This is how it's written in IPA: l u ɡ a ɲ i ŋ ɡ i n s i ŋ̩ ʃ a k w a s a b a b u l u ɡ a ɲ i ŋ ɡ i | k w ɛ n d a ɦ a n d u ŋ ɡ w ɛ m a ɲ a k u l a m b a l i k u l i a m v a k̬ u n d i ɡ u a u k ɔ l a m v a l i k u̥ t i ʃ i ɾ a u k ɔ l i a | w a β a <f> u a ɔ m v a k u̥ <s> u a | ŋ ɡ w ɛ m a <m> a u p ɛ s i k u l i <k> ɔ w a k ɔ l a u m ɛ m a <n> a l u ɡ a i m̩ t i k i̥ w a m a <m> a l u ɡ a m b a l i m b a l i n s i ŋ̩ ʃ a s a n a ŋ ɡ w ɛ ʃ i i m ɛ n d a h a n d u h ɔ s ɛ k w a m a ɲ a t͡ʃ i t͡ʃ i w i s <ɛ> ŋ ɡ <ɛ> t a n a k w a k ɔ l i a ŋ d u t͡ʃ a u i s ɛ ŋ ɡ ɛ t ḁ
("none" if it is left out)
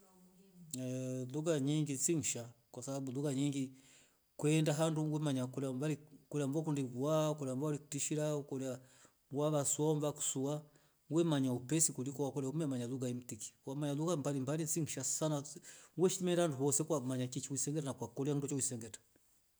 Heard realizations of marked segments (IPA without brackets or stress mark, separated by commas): s, s, ɲ, k, ɲ, ɲ, ɛ, ɛ